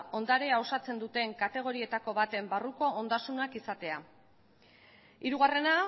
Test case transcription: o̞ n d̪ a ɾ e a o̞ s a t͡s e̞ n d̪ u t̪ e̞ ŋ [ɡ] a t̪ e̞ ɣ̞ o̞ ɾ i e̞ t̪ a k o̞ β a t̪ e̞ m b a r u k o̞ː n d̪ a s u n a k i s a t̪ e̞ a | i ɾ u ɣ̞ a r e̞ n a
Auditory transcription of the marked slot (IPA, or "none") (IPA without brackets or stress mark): k